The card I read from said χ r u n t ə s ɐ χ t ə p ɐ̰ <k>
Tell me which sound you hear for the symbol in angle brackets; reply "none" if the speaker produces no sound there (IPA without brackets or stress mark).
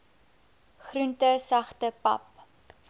p